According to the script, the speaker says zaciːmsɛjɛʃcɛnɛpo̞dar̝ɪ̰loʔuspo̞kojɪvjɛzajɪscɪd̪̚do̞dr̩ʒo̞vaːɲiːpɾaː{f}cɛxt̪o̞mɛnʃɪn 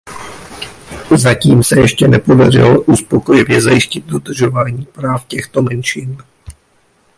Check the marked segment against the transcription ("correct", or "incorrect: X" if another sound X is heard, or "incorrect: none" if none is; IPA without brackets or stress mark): correct